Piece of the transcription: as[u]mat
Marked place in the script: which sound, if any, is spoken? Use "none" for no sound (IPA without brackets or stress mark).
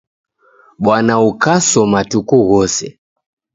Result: ɔ